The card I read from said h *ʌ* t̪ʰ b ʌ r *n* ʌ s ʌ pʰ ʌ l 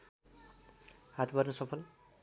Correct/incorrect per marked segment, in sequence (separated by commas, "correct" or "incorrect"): incorrect, correct